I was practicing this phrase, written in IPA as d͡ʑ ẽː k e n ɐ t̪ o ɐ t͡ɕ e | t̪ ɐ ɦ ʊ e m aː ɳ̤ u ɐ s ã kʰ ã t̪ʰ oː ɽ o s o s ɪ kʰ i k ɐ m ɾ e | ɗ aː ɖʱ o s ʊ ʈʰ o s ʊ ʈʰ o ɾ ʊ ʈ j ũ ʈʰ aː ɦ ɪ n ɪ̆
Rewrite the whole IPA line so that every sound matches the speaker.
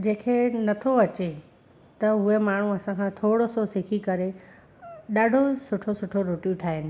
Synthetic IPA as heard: d͡ʑ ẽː kʰ e n ɐ t̪ʰ o ɐ t͡ɕ e | t̪ ɐ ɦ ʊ e m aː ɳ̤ u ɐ s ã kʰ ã t̪ʰ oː ɽ o s o s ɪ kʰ i k ɐ ɾ e | ɗ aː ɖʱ o s ʊ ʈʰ o s ʊ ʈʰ o ɾ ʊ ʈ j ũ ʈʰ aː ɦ ɪ n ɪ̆